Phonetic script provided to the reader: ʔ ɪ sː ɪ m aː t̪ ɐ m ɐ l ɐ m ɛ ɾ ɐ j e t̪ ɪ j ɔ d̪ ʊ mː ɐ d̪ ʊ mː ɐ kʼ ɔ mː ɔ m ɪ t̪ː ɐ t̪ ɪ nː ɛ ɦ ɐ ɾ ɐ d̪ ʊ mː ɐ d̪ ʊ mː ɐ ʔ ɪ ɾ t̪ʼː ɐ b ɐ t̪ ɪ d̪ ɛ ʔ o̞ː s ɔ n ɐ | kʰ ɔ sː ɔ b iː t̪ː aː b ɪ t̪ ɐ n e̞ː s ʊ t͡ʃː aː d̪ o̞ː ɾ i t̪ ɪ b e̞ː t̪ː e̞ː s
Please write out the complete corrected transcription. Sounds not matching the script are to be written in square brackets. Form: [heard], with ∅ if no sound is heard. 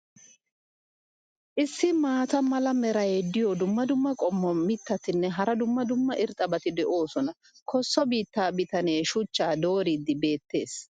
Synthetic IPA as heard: ʔ ɪ sː ɪ m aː t̪ ɐ m ɐ l ɐ m ɛ ɾ ɐ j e [d̪] ɪ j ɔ d̪ ʊ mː ɐ d̪ ʊ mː ɐ kʼ ɔ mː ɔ m ɪ t̪ː ɐ t̪ ɪ nː ɛ ɦ ɐ ɾ ɐ d̪ ʊ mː ɐ d̪ ʊ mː ɐ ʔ ɪ ɾ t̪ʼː ɐ b ɐ t̪ ɪ d̪ ɛ ʔ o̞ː s ɔ n ɐ | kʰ ɔ sː ɔ b iː t̪ː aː b ɪ t̪ ɐ n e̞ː [ʃ] ʊ t͡ʃː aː d̪ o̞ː ɾ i [d̪] ɪ b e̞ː t̪ː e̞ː s

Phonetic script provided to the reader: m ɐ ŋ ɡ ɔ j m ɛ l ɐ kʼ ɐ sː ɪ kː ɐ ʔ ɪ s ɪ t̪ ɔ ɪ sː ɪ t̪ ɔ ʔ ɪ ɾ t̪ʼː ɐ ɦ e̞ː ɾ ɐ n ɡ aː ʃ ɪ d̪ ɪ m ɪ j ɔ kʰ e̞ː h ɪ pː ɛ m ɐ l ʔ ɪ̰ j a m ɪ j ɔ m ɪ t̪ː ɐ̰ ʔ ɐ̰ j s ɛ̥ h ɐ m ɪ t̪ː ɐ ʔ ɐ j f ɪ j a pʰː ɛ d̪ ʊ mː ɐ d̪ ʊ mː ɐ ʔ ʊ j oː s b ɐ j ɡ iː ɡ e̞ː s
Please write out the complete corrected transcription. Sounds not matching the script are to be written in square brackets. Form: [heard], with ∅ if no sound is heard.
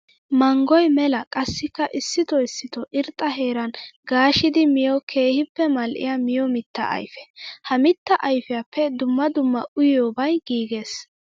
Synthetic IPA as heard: m ɐ ŋ ɡ ɔ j m ɛ l ɐ kʼ ɐ sː ɪ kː ɐ ʔ ɪ [sː] ɪ t̪ ɔ ɪ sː ɪ t̪ ɔ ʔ ɪ ɾ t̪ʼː ɐ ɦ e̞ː ɾ ɐ n ɡ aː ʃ ɪ d̪ ɪ m ɪ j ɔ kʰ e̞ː h ɪ pː ɛ m ɐ l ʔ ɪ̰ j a m ɪ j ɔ m ɪ t̪ː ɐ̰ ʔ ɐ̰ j [f] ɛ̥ h ɐ m ɪ t̪ː ɐ ʔ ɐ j f ɪ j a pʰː ɛ d̪ ʊ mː ɐ d̪ ʊ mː ɐ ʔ ʊ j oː [∅] b ɐ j ɡ iː ɡ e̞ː s

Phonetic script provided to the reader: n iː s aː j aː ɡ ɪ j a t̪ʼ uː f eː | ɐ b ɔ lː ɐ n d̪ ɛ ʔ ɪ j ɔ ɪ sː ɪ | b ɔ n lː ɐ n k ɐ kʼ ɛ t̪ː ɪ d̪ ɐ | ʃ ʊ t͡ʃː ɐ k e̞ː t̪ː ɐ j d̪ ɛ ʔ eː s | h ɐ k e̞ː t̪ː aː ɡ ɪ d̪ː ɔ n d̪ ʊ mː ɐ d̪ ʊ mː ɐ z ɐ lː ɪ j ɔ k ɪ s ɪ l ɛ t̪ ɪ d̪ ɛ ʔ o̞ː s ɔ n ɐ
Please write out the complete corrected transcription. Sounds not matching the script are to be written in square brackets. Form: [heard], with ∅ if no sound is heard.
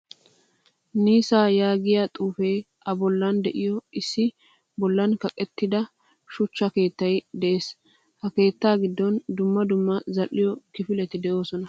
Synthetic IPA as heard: n iː s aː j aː ɡ ɪ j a t̪ʼ uː f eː | ɐ b ɔ lː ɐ n d̪ ɛ ʔ ɪ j ɔ ɪ sː ɪ | b ɔ [∅] lː ɐ n k ɐ kʼ ɛ t̪ː ɪ d̪ ɐ | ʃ ʊ t͡ʃː ɐ k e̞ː t̪ː ɐ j d̪ ɛ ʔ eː s | h ɐ k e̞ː t̪ː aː ɡ ɪ d̪ː ɔ n d̪ ʊ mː ɐ d̪ ʊ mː ɐ z ɐ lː ɪ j ɔ k ɪ [f] ɪ l ɛ t̪ ɪ d̪ ɛ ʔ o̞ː s ɔ n ɐ

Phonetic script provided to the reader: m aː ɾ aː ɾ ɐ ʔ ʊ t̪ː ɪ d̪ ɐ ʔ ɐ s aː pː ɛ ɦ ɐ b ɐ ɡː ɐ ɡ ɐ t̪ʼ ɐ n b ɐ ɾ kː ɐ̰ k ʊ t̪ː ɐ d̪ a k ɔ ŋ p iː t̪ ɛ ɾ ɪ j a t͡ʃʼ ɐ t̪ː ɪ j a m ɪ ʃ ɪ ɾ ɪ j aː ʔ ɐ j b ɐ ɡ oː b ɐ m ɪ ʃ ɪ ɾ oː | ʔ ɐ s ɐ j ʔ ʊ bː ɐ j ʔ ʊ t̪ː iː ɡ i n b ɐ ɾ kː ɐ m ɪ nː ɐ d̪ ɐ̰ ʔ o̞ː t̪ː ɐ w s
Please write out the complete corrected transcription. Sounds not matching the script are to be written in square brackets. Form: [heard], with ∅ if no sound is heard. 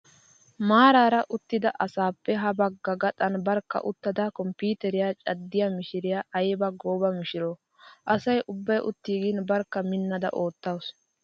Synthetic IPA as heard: m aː ɾ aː ɾ ɐ ʔ ʊ t̪ː ɪ d̪ ɐ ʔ ɐ s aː pː ɛ ɦ ɐ b ɐ ɡː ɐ ɡ ɐ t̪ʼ ɐ n b ɐ ɾ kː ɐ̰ [ʔ] ʊ t̪ː ɐ d̪ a k ɔ [m] p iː t̪ ɛ ɾ ɪ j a t͡ʃʼ ɐ [d̪ː] ɪ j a m ɪ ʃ ɪ ɾ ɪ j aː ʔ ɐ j b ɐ ɡ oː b ɐ m ɪ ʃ ɪ ɾ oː | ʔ ɐ s ɐ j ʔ ʊ bː ɐ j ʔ ʊ t̪ː iː ɡ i n b ɐ ɾ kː ɐ m ɪ nː ɐ d̪ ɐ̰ ʔ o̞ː t̪ː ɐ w s

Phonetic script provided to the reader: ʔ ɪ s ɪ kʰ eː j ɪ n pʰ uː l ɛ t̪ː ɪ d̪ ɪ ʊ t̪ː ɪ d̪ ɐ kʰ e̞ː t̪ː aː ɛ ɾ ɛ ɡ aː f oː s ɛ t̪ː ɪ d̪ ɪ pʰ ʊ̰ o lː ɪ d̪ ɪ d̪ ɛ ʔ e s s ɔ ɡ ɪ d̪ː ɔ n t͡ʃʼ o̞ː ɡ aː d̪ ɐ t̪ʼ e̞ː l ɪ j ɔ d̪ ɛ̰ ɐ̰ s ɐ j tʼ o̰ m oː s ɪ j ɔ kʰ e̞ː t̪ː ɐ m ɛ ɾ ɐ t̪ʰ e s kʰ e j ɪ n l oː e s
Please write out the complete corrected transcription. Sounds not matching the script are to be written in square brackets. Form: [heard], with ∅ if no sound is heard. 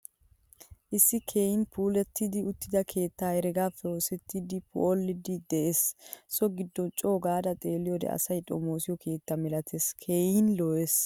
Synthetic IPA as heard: ʔ ɪ [sː] ɪ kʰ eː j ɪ n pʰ uː l ɛ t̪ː ɪ d̪ ɪ ʊ t̪ː ɪ d̪ ɐ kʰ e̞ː t̪ː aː ɛ ɾ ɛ ɡ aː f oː s ɛ t̪ː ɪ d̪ ɪ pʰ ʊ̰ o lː ɪ d̪ ɪ d̪ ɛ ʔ e s s ɔ ɡ ɪ d̪ː ɔ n t͡ʃʼ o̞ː ɡ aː d̪ ɐ t̪ʼ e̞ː l ɪ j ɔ d̪ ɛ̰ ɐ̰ s ɐ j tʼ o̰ m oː s ɪ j ɔ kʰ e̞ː t̪ː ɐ m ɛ [l] ɐ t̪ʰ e s kʰ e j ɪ n l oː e s

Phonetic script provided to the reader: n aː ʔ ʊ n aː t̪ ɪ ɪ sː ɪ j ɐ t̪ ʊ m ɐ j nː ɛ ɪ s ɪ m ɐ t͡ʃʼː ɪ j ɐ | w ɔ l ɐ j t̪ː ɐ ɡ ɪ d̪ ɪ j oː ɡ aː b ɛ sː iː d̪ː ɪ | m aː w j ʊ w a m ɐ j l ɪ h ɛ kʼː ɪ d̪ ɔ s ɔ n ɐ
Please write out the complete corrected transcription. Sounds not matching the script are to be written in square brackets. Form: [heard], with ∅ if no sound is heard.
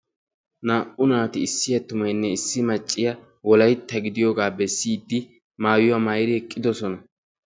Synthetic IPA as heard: n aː ʔ ʊ n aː t̪ ɪ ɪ sː ɪ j ɐ t̪ ʊ m ɐ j nː ɛ ɪ [sː] ɪ m ɐ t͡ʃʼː ɪ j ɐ | w ɔ l ɐ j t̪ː ɐ ɡ ɪ d̪ ɪ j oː ɡ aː b ɛ sː iː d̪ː ɪ | m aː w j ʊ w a m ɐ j [ɾ] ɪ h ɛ kʼː ɪ d̪ ɔ s ɔ n ɐ

